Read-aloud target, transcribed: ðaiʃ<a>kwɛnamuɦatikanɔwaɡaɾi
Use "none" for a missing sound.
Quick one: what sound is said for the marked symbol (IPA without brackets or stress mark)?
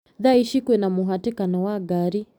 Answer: i